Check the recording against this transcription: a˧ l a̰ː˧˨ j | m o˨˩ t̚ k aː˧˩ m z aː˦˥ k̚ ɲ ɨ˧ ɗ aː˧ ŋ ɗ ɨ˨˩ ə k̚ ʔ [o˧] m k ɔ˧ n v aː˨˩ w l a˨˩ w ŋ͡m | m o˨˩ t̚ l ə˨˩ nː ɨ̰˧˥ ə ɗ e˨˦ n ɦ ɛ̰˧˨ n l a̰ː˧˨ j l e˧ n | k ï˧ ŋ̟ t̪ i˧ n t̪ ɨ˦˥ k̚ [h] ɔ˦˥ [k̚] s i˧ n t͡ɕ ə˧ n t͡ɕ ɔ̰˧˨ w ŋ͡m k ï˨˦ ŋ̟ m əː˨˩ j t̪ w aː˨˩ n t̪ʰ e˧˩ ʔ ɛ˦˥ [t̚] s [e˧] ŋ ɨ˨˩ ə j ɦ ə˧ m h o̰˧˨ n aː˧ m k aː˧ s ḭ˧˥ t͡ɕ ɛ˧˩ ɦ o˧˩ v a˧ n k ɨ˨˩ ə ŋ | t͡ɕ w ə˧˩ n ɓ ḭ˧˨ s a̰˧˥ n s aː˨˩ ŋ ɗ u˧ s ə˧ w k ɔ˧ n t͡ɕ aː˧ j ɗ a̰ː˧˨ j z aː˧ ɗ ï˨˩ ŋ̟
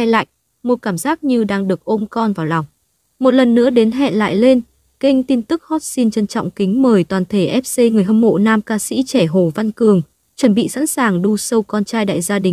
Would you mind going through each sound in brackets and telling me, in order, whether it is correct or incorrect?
correct, correct, incorrect: t̚, incorrect: p̚, correct

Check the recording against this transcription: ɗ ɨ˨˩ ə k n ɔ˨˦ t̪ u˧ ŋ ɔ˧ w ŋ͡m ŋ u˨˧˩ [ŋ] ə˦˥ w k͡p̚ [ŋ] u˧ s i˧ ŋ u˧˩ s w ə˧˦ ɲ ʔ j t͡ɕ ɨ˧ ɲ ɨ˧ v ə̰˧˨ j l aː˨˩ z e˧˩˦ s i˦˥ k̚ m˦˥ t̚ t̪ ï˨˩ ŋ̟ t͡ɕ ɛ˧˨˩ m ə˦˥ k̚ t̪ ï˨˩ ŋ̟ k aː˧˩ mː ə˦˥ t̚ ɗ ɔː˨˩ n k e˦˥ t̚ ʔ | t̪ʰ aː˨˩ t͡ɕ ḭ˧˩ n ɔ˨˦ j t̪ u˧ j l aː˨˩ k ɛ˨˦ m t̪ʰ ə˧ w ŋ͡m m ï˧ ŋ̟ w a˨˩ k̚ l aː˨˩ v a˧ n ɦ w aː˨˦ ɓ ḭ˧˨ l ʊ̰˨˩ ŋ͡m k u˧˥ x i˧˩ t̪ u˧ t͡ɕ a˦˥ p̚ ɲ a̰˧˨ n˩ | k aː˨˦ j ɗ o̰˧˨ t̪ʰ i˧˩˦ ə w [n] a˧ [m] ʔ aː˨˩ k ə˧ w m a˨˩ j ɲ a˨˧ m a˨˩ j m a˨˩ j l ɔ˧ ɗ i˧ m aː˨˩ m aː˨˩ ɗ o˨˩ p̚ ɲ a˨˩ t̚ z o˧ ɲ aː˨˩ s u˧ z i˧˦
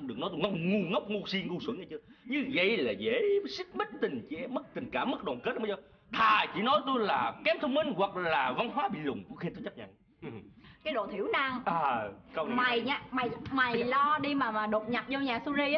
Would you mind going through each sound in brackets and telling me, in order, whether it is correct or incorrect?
correct, correct, correct, incorrect: ŋ

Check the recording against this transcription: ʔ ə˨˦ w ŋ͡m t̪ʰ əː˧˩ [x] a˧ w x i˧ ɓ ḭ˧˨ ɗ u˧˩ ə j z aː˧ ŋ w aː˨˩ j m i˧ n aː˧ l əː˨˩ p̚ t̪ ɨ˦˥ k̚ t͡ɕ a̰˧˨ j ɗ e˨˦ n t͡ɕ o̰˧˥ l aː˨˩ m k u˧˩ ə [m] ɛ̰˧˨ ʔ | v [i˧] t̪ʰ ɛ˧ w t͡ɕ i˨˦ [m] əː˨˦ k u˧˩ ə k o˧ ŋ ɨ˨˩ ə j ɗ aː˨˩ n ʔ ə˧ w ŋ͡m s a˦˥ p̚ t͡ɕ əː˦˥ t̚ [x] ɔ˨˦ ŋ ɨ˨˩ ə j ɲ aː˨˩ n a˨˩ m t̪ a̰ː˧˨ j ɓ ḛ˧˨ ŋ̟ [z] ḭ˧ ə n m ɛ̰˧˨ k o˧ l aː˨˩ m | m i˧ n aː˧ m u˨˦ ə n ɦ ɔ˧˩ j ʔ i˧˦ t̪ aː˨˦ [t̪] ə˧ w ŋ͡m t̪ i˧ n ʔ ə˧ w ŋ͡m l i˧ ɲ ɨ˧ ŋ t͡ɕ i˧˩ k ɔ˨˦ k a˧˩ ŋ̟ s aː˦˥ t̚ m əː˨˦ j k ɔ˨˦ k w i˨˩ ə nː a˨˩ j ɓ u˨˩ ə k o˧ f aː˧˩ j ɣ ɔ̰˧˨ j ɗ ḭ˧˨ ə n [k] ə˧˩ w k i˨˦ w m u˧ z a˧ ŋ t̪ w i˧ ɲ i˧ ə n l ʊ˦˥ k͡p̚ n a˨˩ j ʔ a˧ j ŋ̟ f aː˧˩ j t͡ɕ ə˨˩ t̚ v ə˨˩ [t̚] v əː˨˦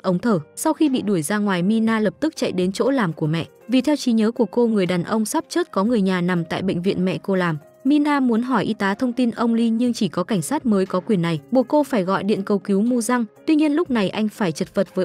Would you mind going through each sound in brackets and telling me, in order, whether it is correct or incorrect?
incorrect: s, correct, incorrect: i˨˩, incorrect: ɲ, incorrect: k, incorrect: v, incorrect: t̪ʰ, correct, correct

